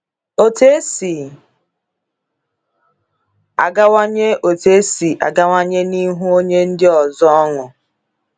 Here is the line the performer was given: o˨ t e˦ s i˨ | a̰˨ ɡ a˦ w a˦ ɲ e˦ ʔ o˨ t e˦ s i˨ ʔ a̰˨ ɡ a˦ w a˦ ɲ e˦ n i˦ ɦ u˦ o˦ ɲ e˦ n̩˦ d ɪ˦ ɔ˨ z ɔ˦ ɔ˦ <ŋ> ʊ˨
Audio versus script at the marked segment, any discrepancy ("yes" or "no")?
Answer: no